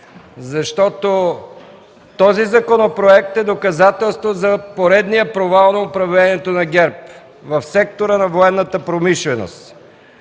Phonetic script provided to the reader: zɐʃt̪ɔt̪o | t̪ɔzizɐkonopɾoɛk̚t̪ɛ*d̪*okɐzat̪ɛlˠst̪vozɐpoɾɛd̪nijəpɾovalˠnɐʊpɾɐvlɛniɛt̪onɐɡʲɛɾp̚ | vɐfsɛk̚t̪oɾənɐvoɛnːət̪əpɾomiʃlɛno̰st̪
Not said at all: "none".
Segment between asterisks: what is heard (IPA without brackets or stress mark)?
d̪